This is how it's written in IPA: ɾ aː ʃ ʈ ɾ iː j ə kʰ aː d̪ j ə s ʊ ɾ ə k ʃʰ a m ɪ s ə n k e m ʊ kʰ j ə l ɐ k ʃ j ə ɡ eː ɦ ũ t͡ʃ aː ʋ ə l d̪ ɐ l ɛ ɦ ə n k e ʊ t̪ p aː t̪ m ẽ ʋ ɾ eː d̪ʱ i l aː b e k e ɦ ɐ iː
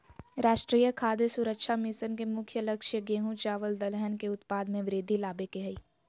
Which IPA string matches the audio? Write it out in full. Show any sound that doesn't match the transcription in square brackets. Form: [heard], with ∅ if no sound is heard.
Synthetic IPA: ɾ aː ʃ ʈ ɾ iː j ə kʰ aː d̪ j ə s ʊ ɾ ə k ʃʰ a m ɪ s ə n k e m ʊ kʰ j ə l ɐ k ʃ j ə ɡ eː ɦ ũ t͡ʃ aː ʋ ə l d̪ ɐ l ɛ ɦ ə n k e ʊ t̪ p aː [d̪] m ẽ ʋ ɾ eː d̪ʱ i l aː b e k e ɦ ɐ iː